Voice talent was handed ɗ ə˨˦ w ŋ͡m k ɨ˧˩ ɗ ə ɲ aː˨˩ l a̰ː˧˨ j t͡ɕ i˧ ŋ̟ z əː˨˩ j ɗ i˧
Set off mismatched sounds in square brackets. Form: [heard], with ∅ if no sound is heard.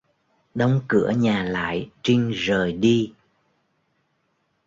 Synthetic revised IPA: ɗ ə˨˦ w ŋ͡m k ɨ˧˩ [∅] ə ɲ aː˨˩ l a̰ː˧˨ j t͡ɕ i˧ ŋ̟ z əː˨˩ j ɗ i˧